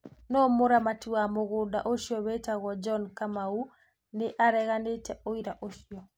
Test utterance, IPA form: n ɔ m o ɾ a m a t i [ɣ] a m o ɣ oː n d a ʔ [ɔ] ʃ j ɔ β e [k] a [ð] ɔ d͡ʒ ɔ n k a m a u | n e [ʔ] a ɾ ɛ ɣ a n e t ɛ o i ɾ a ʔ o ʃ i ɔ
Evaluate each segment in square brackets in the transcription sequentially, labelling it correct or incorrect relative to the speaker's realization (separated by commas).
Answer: incorrect, incorrect, incorrect, incorrect, correct